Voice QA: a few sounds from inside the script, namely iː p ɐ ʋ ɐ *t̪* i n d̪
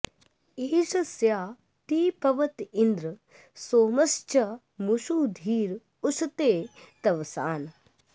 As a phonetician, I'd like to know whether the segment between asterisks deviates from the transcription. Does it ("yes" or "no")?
no